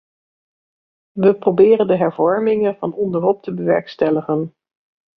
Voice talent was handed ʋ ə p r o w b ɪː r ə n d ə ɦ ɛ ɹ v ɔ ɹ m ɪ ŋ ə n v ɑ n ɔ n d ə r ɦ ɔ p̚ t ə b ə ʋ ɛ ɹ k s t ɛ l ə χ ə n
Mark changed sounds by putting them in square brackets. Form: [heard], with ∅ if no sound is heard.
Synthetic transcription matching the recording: ʋ ə p r o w b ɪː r ə n d ə ɦ ɛ ɹ v ɔ ɹ m ɪ ŋ ə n v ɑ n ɔ n d ə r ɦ ɔ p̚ t ə b ə ʋ ɛ ɹ k s t ɛ l ə χ ə n